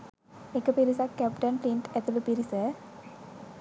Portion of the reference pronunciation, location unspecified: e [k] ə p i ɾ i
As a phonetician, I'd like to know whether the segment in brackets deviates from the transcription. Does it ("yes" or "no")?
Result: no